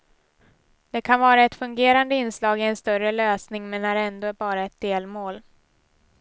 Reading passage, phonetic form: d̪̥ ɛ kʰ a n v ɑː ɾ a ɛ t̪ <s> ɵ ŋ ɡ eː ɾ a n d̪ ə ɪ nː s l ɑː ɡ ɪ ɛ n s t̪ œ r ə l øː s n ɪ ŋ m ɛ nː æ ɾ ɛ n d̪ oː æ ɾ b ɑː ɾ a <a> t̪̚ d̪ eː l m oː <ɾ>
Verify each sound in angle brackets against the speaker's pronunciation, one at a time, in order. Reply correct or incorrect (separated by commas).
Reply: incorrect, incorrect, incorrect